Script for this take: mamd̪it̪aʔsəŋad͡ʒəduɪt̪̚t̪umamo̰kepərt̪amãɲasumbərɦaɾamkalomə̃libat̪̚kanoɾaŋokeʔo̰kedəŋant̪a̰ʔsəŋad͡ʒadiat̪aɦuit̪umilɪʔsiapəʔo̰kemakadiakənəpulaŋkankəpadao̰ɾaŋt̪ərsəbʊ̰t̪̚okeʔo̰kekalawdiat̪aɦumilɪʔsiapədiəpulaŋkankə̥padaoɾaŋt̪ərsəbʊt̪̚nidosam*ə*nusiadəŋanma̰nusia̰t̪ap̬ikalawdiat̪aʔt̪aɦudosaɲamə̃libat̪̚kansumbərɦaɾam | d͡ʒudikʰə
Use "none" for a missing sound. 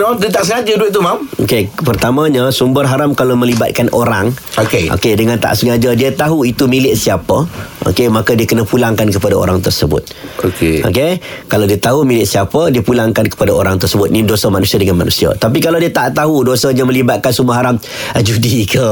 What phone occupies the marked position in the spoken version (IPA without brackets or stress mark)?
a